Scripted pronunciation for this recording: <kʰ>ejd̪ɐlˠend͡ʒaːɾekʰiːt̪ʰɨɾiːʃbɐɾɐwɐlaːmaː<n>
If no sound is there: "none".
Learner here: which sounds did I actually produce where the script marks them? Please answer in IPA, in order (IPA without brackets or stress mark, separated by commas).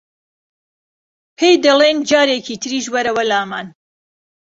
pʰ, n